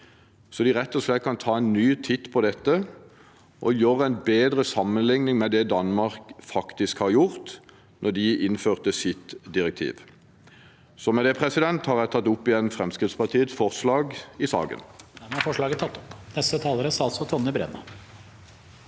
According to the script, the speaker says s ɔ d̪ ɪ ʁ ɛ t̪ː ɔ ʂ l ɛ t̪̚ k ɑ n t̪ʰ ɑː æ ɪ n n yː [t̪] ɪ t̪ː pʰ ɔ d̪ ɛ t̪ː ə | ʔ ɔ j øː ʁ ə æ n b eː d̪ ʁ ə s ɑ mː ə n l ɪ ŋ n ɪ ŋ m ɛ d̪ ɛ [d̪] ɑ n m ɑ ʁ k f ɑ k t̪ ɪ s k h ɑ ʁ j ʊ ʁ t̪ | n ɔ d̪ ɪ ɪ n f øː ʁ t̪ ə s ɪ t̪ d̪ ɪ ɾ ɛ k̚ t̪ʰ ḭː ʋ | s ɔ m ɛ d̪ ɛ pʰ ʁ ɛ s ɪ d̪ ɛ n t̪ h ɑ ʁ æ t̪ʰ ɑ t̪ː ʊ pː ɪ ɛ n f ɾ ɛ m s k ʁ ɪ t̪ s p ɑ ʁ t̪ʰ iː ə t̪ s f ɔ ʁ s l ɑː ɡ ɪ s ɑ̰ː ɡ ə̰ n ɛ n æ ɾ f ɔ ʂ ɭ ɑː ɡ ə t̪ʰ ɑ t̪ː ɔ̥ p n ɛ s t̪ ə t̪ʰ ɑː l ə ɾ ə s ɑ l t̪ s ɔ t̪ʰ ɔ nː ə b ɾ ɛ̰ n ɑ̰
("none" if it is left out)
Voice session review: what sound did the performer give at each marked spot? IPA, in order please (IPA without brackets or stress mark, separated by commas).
t̪ʰ, d̪